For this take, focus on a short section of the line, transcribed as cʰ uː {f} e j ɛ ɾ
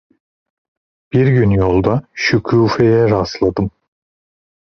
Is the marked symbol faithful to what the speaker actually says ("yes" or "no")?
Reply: yes